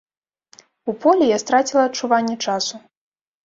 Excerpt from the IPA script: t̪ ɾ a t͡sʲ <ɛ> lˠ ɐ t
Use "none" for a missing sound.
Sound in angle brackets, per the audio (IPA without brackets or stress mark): i